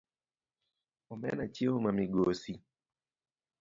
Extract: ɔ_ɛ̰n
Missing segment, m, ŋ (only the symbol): m